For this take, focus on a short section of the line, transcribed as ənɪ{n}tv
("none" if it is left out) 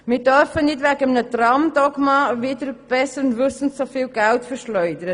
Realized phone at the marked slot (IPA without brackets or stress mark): none